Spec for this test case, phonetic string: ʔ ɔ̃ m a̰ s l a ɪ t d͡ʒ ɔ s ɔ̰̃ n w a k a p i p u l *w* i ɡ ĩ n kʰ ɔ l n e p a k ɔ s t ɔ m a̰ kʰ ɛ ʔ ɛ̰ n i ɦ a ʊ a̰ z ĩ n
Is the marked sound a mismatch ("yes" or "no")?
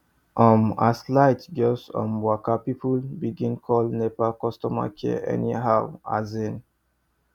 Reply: yes